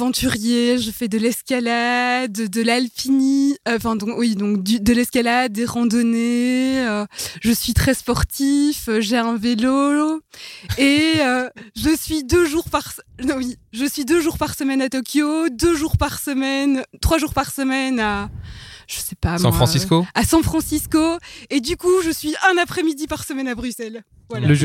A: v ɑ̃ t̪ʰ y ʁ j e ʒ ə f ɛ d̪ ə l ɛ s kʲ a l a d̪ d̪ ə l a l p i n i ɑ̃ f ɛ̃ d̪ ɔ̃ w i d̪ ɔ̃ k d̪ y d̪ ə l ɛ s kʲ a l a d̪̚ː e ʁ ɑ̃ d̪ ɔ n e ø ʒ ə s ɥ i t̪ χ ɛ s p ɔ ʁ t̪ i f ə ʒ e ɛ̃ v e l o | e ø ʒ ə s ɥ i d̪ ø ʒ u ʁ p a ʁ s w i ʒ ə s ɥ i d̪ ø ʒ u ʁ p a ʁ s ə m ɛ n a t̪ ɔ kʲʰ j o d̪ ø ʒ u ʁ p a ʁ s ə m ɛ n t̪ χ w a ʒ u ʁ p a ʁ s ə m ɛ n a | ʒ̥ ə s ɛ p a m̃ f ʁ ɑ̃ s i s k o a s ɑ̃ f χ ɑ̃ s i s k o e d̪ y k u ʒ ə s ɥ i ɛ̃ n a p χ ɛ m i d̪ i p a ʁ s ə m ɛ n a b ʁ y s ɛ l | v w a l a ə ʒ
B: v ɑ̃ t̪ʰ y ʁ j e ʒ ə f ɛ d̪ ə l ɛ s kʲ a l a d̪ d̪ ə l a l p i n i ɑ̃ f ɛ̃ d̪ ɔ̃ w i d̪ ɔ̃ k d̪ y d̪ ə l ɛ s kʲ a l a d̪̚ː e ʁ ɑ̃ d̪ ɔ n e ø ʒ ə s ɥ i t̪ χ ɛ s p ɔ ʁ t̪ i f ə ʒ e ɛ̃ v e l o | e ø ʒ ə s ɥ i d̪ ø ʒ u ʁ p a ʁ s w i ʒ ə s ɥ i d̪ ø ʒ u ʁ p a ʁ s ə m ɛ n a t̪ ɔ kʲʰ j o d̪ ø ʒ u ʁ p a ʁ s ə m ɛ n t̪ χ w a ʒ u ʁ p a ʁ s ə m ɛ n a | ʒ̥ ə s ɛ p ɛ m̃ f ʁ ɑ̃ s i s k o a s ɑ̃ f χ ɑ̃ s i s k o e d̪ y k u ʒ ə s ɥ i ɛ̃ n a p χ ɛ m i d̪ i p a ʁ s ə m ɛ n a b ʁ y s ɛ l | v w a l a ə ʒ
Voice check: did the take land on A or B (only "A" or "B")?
A